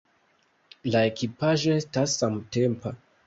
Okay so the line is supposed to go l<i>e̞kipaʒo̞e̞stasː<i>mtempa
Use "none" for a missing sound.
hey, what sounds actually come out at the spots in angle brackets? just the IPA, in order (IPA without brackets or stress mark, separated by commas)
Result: a, a